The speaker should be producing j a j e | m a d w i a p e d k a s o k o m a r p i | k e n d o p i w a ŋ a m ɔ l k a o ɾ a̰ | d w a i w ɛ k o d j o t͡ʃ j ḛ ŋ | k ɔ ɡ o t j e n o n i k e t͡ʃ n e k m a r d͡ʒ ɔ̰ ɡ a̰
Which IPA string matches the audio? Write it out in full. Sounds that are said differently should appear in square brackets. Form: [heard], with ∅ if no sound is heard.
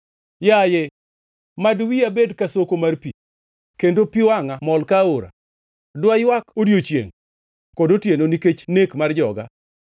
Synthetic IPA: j a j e | m a d w i a [b] e d k a s o k o m a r p i | k e n d o p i w a ŋ a m ɔ l k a o ɾ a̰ | d w a [j] w [a] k o d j o t͡ʃ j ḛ ŋ | k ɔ [d] o t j e n o n i k e t͡ʃ n e k m a r d͡ʒ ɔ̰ ɡ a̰